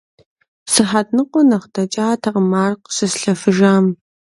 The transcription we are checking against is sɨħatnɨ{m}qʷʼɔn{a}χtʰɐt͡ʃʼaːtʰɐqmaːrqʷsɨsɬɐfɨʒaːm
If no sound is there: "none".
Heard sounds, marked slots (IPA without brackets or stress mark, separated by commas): none, ɐ